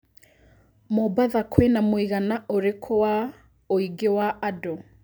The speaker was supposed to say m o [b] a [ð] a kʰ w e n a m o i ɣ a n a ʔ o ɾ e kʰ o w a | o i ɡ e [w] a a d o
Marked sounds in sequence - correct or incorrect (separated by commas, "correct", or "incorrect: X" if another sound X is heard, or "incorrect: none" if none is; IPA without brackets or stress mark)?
correct, correct, correct